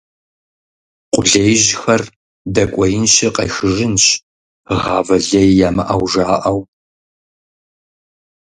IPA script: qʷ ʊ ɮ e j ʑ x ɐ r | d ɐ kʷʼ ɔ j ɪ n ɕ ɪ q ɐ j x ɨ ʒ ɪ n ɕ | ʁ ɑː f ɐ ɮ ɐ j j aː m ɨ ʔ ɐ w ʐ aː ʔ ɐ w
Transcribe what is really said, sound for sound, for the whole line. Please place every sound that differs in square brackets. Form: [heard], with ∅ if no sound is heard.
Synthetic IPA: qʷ ʊ ɮ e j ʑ x ɐ r | d ɐ kʷʼ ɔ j ɪ n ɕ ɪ q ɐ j x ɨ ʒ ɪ n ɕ | ʁ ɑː [v] ɐ ɮ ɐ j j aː m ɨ ʔ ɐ w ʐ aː ʔ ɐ w